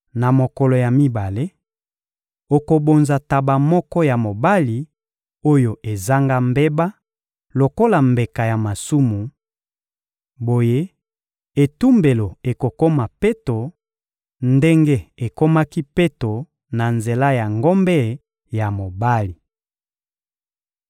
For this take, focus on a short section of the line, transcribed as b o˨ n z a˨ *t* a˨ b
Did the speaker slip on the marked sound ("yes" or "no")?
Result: no